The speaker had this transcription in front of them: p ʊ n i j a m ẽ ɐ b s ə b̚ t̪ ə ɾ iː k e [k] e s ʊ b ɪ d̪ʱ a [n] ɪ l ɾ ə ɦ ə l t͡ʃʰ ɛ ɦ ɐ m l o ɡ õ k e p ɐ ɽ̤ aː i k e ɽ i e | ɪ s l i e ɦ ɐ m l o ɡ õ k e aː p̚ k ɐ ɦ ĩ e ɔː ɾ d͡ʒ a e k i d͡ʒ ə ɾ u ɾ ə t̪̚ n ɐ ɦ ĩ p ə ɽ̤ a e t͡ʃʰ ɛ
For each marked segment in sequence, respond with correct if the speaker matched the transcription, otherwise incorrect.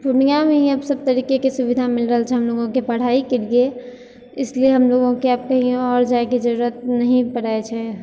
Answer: correct, incorrect: m

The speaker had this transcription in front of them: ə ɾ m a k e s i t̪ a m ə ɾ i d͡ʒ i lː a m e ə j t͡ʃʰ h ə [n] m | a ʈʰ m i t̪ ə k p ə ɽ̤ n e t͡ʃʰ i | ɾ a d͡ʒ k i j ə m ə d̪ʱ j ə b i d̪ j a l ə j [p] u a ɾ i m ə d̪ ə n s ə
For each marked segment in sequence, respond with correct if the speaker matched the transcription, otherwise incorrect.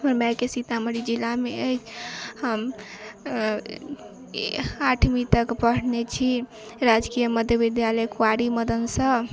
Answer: incorrect: none, incorrect: k

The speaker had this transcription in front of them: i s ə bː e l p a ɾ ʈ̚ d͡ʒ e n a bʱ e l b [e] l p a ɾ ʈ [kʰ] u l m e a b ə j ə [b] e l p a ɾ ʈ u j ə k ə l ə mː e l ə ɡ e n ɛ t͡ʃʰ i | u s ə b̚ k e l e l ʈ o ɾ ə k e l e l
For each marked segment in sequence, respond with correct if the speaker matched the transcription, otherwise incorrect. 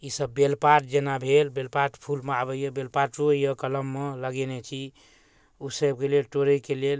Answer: correct, incorrect: pʰ, correct

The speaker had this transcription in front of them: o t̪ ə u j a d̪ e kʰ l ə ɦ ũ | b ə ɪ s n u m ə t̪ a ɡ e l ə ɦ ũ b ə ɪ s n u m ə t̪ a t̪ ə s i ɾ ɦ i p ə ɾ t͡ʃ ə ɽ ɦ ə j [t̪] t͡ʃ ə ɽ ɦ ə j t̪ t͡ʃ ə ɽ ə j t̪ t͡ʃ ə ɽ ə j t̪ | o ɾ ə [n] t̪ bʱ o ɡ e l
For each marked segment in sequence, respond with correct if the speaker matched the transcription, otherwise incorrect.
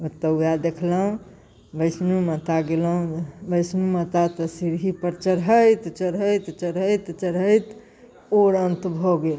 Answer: correct, correct

